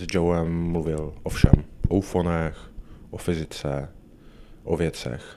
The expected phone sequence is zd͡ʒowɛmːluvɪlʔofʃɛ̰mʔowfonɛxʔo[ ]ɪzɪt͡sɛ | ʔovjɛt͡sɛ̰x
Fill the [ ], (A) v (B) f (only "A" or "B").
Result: B